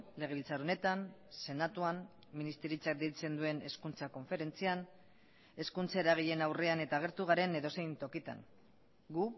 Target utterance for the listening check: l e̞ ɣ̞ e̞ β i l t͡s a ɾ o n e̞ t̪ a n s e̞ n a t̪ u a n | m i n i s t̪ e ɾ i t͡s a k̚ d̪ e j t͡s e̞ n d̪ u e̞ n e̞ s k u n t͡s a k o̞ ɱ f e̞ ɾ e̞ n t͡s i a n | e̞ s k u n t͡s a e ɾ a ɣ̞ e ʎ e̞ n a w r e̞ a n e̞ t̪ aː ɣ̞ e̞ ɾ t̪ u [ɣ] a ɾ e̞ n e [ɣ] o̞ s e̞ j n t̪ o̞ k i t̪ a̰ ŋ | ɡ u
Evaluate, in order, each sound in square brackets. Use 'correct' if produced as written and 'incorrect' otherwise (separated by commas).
correct, incorrect